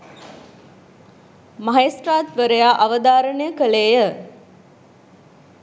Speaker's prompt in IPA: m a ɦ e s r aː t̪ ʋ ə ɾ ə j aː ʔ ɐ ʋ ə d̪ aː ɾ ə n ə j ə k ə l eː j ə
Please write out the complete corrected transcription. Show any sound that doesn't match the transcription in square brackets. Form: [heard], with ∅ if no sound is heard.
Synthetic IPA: m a ɦ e s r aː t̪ ʋ ə ɾ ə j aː ʔ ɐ ʋ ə d̪ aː ɾ ə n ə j ə k ə l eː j ə